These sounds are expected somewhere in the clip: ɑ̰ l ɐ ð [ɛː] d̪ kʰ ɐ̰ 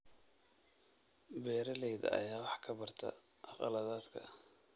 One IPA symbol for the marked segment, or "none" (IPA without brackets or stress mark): aː